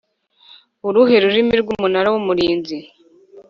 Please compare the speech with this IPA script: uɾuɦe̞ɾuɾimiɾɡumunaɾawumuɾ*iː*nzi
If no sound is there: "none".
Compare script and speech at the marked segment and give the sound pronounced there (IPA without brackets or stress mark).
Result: iː